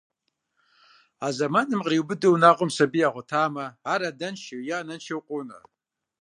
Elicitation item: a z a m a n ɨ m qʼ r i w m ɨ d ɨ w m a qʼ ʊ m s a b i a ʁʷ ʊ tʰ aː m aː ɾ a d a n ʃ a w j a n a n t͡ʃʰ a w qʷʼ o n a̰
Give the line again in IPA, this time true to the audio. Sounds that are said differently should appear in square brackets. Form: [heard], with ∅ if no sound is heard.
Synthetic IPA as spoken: a z a m a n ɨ m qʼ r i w [b] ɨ d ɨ w [n] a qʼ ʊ m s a b i a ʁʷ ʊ tʰ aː m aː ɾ a d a n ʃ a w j a n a n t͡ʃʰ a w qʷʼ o n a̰